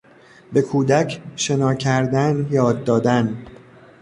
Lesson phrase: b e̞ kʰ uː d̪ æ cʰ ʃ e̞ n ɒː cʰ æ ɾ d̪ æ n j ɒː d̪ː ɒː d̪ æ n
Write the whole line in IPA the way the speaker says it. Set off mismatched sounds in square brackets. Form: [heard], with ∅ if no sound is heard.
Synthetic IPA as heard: b e̞ kʰ uː d̪ æ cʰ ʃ e̞ n ɒː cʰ æ ɾ d̪ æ n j ɒː d̪ː ɒː d̪ æ n